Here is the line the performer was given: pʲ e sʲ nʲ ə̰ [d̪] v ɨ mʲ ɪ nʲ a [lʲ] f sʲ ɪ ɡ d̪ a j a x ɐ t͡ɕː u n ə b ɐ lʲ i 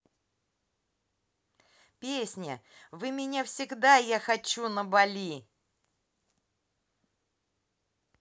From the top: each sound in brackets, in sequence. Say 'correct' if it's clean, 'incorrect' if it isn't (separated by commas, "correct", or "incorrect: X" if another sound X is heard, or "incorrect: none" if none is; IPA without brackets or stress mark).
incorrect: none, incorrect: none